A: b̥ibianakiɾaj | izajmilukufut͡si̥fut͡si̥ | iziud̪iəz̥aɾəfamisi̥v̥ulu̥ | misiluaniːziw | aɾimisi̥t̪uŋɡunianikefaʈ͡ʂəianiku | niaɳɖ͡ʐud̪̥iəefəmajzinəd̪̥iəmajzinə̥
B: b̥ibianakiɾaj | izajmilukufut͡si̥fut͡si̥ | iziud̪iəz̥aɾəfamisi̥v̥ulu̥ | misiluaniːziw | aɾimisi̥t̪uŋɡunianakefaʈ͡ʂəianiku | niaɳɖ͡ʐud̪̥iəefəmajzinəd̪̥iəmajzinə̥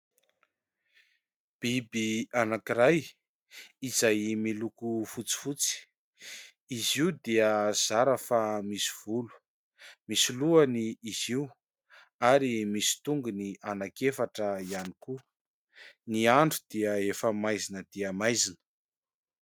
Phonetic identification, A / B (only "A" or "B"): B